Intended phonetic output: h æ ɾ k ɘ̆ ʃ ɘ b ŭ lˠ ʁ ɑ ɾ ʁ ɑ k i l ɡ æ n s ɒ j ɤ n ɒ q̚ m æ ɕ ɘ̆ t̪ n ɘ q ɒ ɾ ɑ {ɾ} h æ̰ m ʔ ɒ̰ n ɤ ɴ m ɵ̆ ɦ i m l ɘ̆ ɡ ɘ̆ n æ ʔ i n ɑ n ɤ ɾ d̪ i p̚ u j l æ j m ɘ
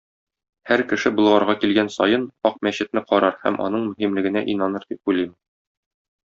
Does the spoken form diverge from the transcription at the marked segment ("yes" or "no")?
no